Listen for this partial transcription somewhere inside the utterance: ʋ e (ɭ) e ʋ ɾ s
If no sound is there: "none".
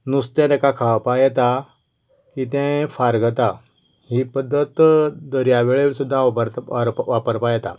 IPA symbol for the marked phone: ɭ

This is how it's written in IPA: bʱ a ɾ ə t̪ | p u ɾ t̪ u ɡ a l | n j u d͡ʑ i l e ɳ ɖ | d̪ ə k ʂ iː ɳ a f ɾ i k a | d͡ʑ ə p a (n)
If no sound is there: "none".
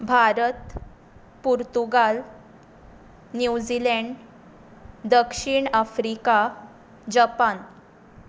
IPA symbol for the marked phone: n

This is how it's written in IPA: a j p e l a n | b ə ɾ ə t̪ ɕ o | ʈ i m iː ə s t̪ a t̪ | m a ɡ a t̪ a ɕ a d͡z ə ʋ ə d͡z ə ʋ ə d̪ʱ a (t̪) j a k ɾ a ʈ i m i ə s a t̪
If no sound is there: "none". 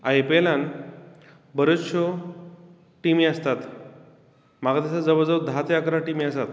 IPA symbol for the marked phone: t̪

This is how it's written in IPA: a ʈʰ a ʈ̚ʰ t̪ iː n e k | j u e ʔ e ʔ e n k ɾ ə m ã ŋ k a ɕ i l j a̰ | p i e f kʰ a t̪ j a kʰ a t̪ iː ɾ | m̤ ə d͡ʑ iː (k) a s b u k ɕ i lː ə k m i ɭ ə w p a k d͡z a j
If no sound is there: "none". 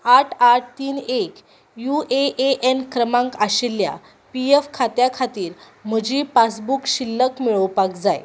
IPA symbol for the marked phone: p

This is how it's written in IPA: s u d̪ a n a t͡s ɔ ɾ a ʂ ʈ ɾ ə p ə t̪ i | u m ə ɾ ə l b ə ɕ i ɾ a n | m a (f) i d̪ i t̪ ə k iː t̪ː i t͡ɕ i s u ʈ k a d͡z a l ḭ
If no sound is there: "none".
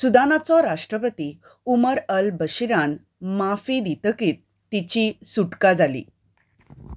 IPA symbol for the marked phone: f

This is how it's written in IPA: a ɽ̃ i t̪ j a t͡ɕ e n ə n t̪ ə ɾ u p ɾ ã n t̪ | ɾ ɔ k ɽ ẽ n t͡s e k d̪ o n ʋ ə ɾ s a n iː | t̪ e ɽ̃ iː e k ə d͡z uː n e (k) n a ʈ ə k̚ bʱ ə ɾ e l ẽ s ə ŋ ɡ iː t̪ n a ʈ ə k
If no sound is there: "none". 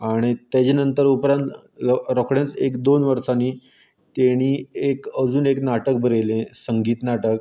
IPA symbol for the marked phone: k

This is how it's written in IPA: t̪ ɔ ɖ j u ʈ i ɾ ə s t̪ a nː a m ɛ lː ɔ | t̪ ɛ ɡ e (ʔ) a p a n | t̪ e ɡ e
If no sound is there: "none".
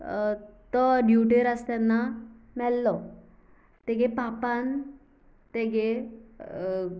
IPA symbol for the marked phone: p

